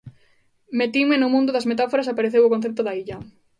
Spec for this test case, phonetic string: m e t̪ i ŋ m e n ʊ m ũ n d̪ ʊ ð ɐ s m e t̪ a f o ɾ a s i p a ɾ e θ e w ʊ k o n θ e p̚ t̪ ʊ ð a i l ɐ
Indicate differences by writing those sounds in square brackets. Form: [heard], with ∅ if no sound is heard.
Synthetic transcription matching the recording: m e t̪ i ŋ m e n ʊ m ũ n d̪ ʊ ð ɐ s m e t̪ a f o ɾ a s [a] p a ɾ e θ e w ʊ k o n θ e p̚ t̪ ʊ ð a i [ʎ] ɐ